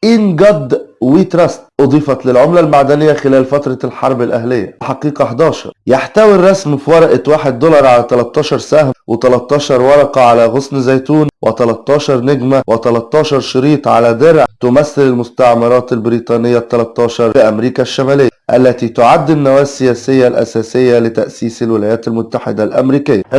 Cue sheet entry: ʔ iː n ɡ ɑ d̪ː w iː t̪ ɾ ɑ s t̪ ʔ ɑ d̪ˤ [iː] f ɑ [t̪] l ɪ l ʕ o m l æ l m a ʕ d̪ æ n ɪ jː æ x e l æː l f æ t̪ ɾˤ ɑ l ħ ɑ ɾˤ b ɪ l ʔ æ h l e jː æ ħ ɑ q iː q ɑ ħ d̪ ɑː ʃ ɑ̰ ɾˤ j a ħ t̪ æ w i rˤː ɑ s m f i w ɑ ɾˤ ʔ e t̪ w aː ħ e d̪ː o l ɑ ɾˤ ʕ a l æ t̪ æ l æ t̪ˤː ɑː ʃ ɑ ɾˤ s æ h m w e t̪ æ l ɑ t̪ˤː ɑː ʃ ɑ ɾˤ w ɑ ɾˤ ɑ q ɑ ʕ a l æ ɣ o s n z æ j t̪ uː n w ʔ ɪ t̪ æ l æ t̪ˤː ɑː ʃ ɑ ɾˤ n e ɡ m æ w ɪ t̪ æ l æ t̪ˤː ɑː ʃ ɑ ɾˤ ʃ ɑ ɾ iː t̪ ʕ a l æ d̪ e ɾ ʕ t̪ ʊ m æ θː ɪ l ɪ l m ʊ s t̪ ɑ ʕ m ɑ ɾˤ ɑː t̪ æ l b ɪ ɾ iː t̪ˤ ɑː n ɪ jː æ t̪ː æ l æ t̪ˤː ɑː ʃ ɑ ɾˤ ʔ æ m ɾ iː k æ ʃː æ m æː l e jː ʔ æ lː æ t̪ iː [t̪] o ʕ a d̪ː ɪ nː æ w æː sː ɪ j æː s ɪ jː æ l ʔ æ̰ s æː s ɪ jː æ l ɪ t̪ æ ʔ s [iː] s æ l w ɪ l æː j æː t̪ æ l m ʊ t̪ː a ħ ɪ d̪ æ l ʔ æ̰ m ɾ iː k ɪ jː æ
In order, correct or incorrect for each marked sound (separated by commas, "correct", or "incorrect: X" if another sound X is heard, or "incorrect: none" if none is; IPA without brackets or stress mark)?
correct, correct, correct, correct